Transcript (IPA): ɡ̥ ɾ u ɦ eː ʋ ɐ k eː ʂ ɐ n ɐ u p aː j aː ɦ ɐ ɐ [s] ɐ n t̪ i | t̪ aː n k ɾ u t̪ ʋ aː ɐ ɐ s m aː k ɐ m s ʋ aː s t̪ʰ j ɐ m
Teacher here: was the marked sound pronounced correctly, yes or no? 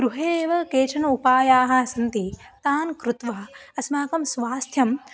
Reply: yes